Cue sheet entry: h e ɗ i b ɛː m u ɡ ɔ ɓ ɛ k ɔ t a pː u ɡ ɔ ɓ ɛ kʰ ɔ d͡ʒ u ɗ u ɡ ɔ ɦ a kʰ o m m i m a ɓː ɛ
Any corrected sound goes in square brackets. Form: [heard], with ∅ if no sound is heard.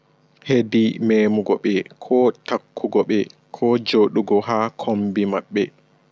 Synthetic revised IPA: h e [d] i [m] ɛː m u ɡ ɔ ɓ ɛ [kʰ] ɔ t a [kː] u ɡ ɔ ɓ ɛ kʰ ɔ d͡ʒ [o] ɗ u ɡ ɔ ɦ a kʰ o m [b] i m a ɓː ɛ